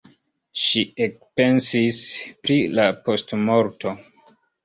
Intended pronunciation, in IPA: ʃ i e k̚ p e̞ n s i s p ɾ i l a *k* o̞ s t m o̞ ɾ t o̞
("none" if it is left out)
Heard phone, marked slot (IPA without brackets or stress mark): p